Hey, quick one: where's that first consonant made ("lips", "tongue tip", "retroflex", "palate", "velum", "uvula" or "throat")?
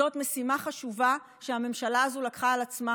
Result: tongue tip